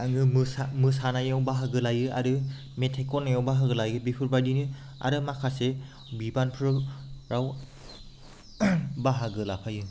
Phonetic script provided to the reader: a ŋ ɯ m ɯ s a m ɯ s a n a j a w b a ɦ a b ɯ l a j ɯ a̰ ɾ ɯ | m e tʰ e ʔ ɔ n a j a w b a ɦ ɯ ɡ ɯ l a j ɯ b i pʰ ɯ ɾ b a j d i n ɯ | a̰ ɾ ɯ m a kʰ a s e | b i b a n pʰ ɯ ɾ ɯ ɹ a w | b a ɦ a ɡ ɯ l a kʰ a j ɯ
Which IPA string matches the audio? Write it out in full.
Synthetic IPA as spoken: a ŋ ɯ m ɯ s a m ɯ s a n a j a w b a ɦ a ɡ ɯ l a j ɯ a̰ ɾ ɯ | m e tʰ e k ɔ n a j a w b a ɦ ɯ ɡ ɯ l a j ɯ b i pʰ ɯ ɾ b a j d i n ɯ | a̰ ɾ ɯ m a kʰ a s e | b i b a n pʰ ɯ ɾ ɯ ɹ a w | b a ɦ a ɡ ɯ l a pʰ a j ɯ